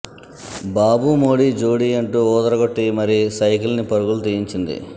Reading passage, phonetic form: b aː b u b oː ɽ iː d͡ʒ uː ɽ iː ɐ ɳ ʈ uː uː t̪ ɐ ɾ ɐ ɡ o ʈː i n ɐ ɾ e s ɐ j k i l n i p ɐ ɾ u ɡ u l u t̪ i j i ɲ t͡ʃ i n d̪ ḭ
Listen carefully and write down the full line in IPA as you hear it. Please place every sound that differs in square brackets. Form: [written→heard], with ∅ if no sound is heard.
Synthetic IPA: b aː b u [b→m] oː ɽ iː d͡ʒ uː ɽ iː ɐ ɳ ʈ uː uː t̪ ɐ ɾ ɐ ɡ o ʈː i [n→m] ɐ ɾ [e→i] s ɐ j k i l n i p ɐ ɾ u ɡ u l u t̪ i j i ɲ t͡ʃ i n d̪ ḭ